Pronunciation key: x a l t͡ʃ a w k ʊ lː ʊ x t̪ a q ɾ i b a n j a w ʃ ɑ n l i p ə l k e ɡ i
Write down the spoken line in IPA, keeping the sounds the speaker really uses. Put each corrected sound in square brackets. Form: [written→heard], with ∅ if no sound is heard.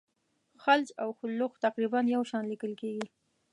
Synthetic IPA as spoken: x a l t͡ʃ a w [k→x] ʊ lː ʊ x t̪ a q ɾ i b a n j a w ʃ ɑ n l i [p→k] ə l k e ɡ i

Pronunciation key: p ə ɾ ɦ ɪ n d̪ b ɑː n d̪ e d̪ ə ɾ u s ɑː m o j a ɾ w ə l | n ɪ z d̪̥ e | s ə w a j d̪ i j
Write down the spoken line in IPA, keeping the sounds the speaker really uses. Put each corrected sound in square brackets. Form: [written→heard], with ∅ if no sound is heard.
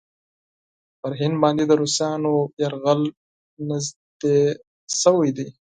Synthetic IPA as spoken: p ə ɾ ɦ ɪ n d̪ b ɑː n d̪ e d̪ ə ɾ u s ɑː [m→n] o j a ɾ [w→ɣ] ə l | n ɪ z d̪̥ e | s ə w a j d̪ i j

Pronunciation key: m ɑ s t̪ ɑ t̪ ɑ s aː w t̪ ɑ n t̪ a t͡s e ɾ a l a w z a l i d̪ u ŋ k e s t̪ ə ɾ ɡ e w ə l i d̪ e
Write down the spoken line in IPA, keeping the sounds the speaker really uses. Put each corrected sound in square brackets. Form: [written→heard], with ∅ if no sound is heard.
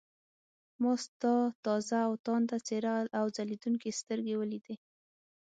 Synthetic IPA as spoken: m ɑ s t̪ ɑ t̪ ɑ [s→z] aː w t̪ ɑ n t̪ a t͡s e ɾ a l a w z a l i d̪ u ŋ k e s t̪ ə ɾ ɡ e w ə l i d̪ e

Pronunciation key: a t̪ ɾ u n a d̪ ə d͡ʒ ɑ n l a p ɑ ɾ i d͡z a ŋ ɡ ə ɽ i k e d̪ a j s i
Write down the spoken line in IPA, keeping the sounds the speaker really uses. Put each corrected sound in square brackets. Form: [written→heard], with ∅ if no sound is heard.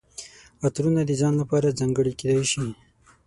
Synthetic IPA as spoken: a t̪ ɾ u n a d̪ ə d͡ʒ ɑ n l a p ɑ ɾ [i→a] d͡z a ŋ ɡ ə ɽ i k e d̪ a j [s→ʃ] i

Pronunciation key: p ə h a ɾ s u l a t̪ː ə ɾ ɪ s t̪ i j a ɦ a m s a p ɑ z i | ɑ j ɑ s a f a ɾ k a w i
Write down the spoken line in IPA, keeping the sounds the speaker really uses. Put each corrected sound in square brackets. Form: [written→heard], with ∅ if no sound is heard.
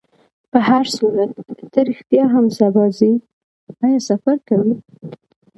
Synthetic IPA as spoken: p ə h a ɾ s u [l→ɾ] a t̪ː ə ɾ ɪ [s→x] t̪ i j [a→ɑ] ɦ a m s a [p→b] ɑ z i | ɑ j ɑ s a f a ɾ k a w i

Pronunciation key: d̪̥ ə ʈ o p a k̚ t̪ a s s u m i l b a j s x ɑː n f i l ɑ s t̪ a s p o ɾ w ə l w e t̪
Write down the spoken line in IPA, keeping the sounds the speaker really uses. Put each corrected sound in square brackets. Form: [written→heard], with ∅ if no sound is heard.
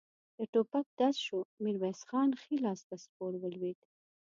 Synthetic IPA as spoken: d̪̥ ə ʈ o p a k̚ [t̪→d̪] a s [s→ʃ] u m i [l→ɾ] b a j s x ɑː n [f→x] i l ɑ s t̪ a s p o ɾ w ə l w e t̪

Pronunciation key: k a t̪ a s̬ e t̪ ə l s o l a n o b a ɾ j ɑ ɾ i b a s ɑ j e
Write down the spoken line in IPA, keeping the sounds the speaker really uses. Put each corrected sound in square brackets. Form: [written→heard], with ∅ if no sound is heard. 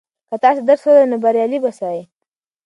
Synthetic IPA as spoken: k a t̪ [a→ɑ] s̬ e [t̪→d̪] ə [l→ɾ] s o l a n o b a ɾ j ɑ [ɾ→l] i b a s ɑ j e

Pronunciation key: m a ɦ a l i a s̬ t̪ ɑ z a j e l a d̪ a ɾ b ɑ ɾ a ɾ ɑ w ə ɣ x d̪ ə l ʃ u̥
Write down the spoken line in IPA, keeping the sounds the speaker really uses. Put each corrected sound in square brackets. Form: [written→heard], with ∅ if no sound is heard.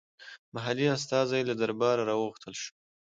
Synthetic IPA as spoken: m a ɦ a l i a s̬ t̪ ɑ z a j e l a d̪ a ɾ b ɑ ɾ a ɾ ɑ w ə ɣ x [d̪→t̪] ə l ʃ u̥

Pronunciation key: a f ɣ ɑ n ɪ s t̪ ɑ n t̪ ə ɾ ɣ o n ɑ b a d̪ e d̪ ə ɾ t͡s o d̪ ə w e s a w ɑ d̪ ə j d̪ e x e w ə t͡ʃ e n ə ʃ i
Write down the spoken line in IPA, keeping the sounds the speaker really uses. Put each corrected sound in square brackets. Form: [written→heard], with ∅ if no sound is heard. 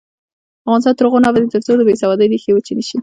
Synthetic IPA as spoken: a f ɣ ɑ n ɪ s t̪ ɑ n t̪ ə ɾ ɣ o n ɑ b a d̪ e [d̪→t̪] ə ɾ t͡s o d̪ ə [w→b] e s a w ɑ d̪ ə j d̪ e x e w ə t͡ʃ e n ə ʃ i

